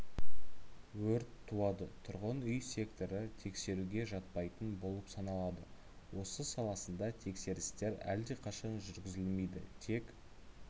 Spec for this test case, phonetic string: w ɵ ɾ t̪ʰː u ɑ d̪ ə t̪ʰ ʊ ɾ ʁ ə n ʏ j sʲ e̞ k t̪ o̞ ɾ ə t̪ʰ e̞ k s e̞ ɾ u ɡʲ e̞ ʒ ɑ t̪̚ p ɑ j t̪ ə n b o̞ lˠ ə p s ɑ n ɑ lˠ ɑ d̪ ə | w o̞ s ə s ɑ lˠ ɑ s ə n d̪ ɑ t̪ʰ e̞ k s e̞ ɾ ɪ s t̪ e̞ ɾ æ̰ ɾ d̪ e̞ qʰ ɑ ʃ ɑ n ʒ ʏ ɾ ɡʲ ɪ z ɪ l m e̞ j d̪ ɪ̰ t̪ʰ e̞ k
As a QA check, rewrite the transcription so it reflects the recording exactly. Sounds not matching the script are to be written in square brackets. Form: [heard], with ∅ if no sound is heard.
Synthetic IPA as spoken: w ɵ ɾ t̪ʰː u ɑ d̪ ə t̪ʰ ʊ ɾ ʁ ə n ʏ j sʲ e̞ k t̪ o̞ ɾ ə t̪ʰ e̞ k s e̞ ɾ u ɡʲ e̞ ʒ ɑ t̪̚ p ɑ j t̪ ə n b o̞ lˠ ə p s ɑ n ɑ lˠ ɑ d̪ ə | w o̞ s ə s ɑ lˠ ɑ s ə n d̪ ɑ t̪ʰ e̞ k s e̞ ɾ ɪ s t̪ e̞ ɾ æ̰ [l] d̪ e̞ qʰ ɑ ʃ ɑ n ʒ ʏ ɾ ɡʲ ɪ z ɪ l m e̞ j d̪ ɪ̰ t̪ʰ e̞ k

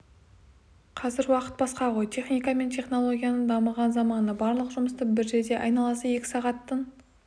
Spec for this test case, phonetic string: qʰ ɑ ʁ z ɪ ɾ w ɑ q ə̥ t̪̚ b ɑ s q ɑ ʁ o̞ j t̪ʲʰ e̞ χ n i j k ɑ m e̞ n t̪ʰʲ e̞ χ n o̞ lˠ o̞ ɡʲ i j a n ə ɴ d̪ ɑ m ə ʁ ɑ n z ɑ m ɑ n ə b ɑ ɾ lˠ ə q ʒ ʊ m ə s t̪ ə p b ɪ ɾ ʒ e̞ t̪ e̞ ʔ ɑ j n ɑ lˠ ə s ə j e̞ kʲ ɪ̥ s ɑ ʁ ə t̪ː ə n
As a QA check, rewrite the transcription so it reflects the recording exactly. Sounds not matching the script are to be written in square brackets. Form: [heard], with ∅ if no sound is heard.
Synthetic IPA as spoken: qʰ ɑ [∅] z ɪ ɾ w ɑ q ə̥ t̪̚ b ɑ s q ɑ ʁ o̞ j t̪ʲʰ e̞ χ n i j k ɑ m e̞ n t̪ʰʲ e̞ χ n o̞ lˠ o̞ ɡʲ i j a n ə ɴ d̪ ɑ m ə ʁ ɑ n z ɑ m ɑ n ə b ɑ ɾ lˠ ə q ʒ ʊ m ə s t̪ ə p b ɪ ɾ ʒ e̞ [d̪] e̞ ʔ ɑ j n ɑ lˠ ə s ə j e̞ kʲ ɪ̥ s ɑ ʁ [ɑ] t̪ː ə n

